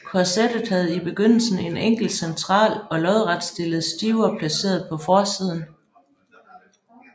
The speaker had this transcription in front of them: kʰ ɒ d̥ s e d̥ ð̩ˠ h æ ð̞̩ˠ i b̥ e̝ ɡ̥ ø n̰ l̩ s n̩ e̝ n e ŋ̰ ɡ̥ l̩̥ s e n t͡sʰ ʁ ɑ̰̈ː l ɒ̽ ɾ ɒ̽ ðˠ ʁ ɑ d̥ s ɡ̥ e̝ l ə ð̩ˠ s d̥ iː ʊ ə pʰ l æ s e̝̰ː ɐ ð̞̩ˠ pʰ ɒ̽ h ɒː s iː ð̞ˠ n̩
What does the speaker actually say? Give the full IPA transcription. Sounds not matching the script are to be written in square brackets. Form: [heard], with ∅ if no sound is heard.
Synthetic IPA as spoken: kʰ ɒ [∅] s e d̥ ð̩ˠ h æ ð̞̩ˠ i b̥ e̝ ɡ̥ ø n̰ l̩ s n̩ e̝ n e ŋ̰ ɡ̥ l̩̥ s e n t͡sʰ ʁ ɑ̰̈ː l ɒ̽ [l] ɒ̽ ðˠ ʁ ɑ d̥ s [d̥] e̝ l ə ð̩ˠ s d̥ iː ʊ [ɐ] pʰ l æ s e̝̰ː ɐ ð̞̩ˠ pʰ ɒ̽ [f] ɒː s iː ð̞ˠ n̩